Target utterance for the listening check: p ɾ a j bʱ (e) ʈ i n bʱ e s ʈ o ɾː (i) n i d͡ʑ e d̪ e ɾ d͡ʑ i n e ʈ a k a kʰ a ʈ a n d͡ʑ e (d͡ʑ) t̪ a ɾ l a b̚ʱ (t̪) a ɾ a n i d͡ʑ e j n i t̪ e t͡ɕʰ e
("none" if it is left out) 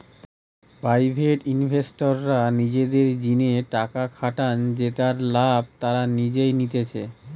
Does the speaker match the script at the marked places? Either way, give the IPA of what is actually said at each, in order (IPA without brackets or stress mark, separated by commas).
e, a, none, t̪